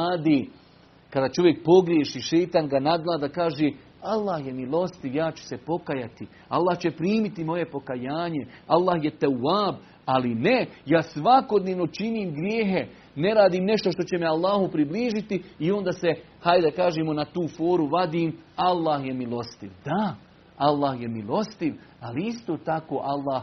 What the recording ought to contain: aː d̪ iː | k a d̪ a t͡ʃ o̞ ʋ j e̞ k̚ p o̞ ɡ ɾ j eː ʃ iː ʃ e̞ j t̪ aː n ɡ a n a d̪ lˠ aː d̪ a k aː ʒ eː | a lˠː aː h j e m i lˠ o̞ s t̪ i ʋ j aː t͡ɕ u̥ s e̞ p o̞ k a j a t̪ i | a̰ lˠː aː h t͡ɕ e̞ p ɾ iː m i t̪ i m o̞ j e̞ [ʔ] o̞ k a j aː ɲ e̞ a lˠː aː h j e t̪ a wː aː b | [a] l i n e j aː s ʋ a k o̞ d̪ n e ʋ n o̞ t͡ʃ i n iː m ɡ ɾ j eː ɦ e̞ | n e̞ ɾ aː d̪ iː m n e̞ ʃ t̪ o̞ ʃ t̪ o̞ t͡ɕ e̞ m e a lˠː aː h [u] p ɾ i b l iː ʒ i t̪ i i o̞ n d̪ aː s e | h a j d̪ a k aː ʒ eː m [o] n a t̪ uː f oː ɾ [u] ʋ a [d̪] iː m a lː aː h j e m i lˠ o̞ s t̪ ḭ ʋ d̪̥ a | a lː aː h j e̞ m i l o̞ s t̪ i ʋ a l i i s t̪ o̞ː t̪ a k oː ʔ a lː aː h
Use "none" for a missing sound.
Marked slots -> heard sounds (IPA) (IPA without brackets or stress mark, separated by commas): p, a, u, o, u, d̪